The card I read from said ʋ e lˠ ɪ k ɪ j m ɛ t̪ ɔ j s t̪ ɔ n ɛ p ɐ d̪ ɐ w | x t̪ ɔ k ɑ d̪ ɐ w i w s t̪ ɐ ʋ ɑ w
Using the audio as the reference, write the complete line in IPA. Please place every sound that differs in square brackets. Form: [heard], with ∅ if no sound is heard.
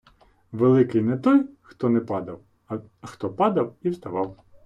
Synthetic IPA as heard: ʋ e lˠ ɪ k ɪ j [n] ɛ t̪ ɔ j [x] t̪ ɔ n ɛ p [ɑ] d̪ ɐ w | x t̪ ɔ [p] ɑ d̪ ɐ w i w s t̪ ɐ ʋ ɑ w